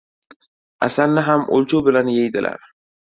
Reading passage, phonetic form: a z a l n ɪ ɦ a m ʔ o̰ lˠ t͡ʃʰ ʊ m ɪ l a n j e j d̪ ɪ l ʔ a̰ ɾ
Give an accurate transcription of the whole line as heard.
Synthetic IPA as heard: a s a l n ɪ ɦ a m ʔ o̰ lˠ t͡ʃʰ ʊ b ɪ l a n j e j d̪ ɪ l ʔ a̰ ɾ